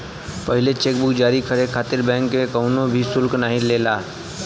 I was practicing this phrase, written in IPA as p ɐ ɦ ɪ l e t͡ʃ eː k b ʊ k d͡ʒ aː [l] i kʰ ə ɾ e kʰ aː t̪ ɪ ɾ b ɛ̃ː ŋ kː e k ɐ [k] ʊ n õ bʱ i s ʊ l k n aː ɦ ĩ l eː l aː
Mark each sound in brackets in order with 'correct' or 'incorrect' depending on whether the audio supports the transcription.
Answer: incorrect, incorrect

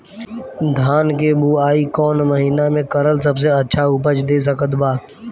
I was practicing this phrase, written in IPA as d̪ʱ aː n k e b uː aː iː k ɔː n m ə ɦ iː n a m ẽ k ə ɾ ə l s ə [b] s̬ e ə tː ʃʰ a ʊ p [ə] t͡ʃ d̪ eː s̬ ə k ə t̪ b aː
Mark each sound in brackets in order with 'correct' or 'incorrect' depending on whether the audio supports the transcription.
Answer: correct, correct

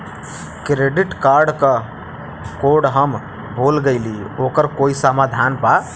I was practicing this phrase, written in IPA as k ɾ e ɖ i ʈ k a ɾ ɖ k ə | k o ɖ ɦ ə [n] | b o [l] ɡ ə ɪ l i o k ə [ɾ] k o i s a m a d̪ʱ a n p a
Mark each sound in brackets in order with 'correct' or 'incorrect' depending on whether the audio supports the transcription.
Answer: incorrect, correct, correct

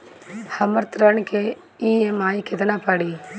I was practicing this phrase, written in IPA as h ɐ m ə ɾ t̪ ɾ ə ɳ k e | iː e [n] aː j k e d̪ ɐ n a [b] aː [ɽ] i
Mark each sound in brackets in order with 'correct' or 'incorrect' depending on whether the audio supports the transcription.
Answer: incorrect, incorrect, correct

